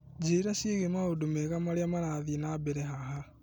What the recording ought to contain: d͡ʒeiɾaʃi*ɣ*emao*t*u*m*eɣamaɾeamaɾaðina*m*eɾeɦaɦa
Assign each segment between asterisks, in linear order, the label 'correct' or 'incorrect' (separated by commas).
correct, incorrect, correct, incorrect